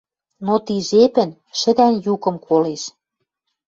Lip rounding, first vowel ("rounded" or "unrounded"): rounded